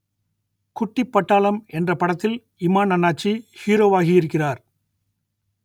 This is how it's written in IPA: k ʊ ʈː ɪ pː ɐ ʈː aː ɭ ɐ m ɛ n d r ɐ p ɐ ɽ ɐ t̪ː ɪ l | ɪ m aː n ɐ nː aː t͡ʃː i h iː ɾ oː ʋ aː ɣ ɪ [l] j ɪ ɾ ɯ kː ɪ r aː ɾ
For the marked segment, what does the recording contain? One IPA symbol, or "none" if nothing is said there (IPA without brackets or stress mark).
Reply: none